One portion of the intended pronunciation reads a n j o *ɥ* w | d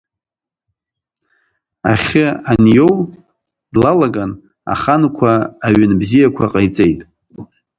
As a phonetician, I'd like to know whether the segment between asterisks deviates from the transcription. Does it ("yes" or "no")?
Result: yes